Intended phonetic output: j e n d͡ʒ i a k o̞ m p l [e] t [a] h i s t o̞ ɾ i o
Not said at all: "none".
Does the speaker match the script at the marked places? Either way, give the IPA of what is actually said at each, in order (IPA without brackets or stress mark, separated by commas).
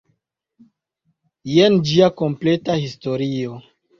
e, a